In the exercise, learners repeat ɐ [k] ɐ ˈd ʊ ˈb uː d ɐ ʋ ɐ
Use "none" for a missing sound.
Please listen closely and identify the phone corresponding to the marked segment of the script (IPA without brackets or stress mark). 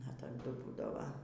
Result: t